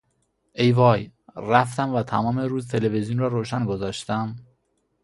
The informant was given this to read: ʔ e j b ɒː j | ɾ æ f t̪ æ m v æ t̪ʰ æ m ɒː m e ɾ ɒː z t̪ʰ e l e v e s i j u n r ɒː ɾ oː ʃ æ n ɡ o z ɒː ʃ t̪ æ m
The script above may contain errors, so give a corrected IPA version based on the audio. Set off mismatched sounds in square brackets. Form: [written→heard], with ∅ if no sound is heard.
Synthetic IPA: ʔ e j [b→v] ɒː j | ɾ æ f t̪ æ m v æ t̪ʰ æ m ɒː m e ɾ [ɒː→uː] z t̪ʰ e l e v e [s→z] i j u n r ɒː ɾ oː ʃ æ n ɡ o z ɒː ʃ t̪ æ m